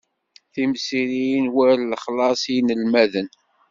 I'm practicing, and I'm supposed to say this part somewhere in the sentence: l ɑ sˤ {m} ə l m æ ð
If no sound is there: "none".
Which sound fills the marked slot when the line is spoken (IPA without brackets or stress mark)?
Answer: n